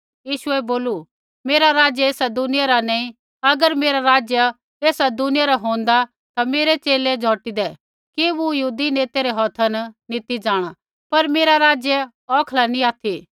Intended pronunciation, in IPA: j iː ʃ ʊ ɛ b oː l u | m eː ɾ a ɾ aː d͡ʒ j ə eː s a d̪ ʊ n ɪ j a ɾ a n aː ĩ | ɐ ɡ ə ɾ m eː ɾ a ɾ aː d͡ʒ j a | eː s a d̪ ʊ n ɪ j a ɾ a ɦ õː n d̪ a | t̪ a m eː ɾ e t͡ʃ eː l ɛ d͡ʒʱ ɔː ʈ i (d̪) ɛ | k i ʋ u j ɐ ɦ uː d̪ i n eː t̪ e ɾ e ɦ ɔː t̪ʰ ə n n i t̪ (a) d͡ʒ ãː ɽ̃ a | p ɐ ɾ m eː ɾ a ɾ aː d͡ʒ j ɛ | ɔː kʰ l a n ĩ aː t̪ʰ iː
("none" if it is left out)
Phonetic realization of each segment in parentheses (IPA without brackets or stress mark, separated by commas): d̪, i